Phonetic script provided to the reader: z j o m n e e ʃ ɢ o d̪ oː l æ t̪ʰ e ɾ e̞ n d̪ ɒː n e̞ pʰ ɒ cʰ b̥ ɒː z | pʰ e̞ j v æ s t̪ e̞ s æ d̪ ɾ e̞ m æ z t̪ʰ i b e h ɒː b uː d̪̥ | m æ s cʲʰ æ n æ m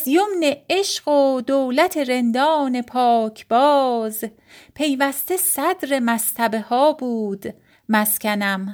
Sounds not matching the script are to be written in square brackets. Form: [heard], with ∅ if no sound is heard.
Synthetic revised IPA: z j o m n e e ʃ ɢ o d̪ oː l æ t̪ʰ e ɾ e̞ n d̪ ɒː n e̞ pʰ [ɒː] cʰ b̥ ɒː z | pʰ e̞ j v æ s t̪ e̞ s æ d̪ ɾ e̞ m æ [s] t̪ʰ [æ] b e h ɒː b uː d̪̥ | m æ s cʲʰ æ n æ m